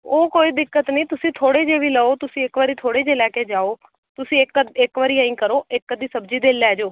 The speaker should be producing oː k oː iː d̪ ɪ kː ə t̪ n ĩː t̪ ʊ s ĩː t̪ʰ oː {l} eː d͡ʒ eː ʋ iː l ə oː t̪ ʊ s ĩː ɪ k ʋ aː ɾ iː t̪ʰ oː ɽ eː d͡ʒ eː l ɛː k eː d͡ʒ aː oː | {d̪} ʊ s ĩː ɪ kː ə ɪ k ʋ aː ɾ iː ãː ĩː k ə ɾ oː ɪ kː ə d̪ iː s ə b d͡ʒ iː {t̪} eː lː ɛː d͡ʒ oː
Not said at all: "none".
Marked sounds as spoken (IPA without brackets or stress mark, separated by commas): ɽ, t̪, d̪